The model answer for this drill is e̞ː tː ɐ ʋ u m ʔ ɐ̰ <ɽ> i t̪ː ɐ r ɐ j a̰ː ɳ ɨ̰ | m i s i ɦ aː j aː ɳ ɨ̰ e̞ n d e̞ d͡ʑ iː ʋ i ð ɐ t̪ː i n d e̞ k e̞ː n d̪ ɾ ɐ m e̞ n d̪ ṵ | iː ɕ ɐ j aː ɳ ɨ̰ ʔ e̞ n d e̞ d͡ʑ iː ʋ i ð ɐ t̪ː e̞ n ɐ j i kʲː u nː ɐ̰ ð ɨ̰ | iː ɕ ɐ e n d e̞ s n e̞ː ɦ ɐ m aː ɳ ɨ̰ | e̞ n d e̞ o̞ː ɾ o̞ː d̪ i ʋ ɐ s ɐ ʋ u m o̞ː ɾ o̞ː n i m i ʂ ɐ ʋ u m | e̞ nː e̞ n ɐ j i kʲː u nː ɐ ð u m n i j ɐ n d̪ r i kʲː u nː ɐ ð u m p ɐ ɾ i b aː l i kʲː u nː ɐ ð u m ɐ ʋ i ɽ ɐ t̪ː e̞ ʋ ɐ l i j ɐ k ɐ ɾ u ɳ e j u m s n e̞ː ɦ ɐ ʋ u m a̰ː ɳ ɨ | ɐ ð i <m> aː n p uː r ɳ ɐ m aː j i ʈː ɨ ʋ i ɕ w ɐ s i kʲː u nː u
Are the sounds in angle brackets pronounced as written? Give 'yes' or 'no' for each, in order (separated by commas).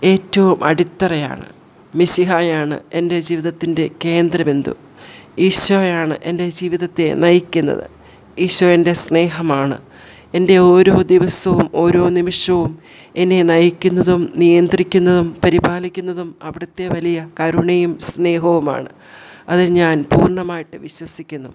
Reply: yes, no